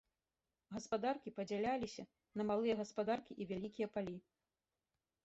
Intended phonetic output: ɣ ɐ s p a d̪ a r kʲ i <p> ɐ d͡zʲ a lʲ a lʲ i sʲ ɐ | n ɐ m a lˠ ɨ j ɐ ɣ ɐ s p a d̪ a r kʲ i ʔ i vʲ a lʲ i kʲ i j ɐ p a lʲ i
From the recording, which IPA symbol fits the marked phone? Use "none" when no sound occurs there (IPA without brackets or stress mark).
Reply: p